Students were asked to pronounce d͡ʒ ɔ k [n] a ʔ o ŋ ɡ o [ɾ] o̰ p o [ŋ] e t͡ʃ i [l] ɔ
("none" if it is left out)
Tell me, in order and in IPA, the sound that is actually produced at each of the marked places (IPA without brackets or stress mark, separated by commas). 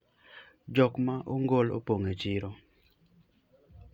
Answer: m, l, ŋ, ɾ